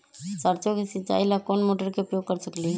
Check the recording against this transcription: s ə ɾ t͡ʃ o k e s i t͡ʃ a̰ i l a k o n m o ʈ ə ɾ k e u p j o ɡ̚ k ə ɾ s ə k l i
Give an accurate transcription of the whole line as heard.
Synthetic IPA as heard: s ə ɾ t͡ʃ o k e s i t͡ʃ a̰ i l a k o n m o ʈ ə ɾ k e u p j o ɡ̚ k ə ɾ s ə k l i